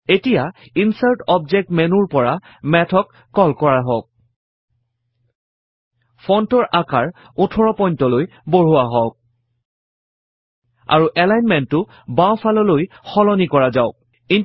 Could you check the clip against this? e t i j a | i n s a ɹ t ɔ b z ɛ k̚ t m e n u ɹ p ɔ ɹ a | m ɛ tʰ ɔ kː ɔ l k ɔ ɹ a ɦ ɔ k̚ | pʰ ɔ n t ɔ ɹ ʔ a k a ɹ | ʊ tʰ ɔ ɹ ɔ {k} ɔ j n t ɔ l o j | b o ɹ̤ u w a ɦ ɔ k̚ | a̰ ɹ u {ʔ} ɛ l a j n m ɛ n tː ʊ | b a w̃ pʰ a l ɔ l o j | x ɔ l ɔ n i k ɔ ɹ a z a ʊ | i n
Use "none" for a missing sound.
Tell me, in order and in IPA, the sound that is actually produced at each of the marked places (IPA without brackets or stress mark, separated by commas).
p, ʔ